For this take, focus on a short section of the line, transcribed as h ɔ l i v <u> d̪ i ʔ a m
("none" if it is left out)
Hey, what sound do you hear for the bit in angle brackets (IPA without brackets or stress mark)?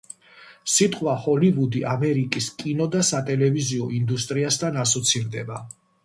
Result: u